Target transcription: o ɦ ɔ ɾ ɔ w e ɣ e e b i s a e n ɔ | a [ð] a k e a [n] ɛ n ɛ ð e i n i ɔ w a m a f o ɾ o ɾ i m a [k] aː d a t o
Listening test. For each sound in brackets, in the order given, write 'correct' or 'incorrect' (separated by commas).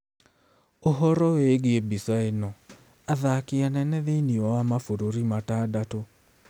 correct, correct, incorrect